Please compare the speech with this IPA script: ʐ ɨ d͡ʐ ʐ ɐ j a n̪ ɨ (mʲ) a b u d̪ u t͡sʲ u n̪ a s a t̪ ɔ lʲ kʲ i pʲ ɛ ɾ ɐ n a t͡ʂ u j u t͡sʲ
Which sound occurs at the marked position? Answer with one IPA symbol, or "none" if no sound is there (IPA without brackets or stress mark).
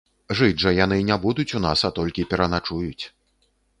nʲ